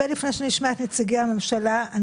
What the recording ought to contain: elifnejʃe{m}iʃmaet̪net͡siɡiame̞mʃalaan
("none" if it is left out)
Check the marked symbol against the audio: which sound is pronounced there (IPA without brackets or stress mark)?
n